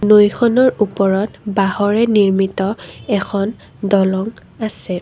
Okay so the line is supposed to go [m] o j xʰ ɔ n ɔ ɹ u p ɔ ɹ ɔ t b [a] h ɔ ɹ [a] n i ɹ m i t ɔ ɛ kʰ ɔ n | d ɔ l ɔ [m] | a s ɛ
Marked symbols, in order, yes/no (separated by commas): no, yes, no, no